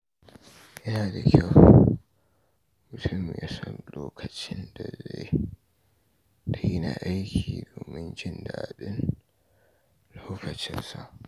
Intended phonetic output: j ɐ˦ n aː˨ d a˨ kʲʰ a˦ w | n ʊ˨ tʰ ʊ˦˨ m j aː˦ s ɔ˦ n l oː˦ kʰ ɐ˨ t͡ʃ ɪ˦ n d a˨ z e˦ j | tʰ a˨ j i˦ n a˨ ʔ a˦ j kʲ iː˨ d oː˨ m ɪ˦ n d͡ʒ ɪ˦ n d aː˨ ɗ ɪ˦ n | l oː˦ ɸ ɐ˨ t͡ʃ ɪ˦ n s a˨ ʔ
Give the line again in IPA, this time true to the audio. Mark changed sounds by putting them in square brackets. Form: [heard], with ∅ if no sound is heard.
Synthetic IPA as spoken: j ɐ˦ n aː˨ d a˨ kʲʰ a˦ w | [m] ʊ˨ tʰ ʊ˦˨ m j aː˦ s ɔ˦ n l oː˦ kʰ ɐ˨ t͡ʃ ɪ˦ n d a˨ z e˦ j | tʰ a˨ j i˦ n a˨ ʔ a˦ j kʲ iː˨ d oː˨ m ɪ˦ n d͡ʒ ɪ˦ n d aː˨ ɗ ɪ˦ n | l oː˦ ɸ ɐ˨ t͡ʃ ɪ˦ n s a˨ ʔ